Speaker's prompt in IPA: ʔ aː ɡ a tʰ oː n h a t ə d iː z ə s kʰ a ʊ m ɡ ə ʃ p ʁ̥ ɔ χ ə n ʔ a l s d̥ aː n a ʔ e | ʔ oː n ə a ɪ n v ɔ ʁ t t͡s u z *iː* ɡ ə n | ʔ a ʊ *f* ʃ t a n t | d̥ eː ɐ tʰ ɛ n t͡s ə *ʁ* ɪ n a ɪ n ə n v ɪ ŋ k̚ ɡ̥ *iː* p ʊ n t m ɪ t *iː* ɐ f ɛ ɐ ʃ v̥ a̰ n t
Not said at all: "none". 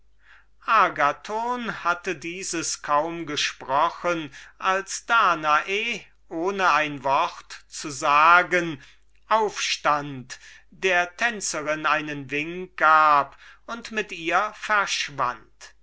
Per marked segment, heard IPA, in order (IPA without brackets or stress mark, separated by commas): aː, f, ʁ, aː, iː